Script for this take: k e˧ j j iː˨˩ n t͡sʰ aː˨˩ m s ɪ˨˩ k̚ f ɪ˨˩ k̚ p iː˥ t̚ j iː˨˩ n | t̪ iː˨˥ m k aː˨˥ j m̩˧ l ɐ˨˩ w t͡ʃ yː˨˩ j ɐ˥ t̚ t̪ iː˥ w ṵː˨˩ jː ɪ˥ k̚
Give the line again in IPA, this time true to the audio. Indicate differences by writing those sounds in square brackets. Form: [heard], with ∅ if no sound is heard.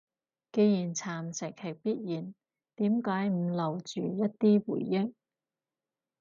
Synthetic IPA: k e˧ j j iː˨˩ n t͡sʰ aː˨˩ m s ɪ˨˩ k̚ [h] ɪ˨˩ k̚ p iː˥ t̚ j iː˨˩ n | t̪ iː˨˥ m k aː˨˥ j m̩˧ l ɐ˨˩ w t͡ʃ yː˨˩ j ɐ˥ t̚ t̪ iː˥ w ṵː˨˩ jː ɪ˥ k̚